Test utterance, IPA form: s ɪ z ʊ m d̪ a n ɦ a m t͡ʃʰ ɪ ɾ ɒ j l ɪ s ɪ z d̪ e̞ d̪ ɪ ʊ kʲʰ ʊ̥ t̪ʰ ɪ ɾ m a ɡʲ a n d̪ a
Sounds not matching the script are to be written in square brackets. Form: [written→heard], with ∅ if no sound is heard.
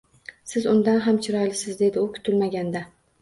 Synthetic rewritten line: s ɪ z ʊ [m→n] d̪ a n ɦ a m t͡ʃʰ ɪ ɾ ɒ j l ɪ s ɪ z d̪ e̞ d̪ ɪ ʊ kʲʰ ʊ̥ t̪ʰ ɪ [ɾ→l] m a ɡʲ a n d̪ a